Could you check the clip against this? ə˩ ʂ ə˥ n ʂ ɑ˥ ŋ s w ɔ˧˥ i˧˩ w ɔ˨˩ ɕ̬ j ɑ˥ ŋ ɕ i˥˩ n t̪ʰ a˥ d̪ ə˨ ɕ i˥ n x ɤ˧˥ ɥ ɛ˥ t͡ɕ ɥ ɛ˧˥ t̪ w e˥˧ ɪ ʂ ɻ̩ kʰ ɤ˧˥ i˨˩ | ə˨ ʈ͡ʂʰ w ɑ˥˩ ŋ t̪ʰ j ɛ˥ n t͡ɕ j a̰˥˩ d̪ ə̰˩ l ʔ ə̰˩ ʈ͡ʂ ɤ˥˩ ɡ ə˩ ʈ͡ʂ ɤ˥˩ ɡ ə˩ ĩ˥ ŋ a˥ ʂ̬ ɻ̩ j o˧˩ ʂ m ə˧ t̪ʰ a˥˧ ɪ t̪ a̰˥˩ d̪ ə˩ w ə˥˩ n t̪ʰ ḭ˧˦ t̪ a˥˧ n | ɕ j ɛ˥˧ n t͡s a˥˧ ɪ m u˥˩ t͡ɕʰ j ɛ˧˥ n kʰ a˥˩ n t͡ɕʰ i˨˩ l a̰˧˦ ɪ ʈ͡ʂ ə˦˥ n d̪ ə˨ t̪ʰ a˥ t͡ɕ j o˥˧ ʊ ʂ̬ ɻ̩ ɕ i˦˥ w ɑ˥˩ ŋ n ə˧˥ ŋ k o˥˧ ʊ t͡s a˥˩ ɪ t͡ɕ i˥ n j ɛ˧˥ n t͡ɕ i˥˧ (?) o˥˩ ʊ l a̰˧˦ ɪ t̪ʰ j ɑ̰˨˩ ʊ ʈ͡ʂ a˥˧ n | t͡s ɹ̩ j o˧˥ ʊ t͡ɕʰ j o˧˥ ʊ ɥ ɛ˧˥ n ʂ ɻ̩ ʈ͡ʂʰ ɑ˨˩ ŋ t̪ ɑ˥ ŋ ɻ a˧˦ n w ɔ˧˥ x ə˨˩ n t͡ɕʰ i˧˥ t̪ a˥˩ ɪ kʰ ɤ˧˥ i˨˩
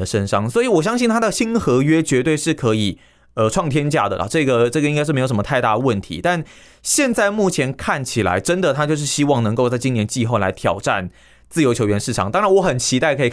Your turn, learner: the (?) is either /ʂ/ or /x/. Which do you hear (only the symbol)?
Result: x